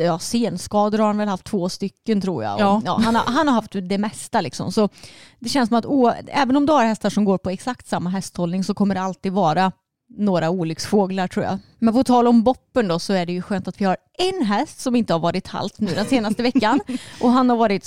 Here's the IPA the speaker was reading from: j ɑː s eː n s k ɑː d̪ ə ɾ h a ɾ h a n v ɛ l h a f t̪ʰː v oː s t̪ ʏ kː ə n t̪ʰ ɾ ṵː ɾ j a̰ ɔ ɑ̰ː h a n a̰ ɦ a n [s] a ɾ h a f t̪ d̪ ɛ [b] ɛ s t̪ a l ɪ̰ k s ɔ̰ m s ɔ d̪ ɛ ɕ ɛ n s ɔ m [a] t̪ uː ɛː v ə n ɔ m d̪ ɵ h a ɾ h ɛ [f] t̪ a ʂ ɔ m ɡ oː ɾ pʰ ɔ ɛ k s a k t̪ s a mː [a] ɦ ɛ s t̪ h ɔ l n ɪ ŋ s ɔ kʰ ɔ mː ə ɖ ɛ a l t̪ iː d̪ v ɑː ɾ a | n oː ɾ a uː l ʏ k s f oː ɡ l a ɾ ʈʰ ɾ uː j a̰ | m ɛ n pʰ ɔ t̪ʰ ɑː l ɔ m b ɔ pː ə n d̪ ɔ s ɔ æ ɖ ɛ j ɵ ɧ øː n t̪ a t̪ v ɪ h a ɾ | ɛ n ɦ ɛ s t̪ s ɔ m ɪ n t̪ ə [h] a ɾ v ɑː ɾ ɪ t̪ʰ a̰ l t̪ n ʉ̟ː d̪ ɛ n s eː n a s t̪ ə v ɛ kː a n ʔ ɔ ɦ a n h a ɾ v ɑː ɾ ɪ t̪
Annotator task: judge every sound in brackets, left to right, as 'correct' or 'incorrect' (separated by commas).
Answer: incorrect, incorrect, correct, incorrect, correct, correct